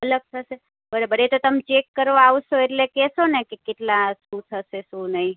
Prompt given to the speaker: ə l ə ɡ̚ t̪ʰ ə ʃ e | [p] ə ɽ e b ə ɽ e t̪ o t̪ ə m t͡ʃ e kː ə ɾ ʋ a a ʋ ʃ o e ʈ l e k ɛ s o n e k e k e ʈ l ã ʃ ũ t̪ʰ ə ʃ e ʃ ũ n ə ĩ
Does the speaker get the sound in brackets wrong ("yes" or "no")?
yes